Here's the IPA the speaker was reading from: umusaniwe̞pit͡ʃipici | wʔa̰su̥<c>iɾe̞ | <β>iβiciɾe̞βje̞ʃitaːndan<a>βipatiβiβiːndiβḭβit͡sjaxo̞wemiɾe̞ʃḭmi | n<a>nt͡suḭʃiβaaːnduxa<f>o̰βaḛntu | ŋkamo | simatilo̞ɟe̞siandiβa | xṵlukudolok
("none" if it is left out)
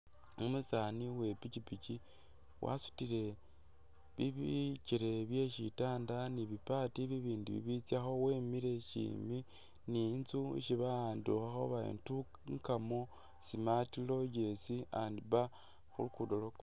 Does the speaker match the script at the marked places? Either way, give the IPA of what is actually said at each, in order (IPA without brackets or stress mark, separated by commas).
t, β, i, i, x